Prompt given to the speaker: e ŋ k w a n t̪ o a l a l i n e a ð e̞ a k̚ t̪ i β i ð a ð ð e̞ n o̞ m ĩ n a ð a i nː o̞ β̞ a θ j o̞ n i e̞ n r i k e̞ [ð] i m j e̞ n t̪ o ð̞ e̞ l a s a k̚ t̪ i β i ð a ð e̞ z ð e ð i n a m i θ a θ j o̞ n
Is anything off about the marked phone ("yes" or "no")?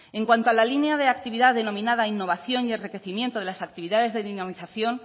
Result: yes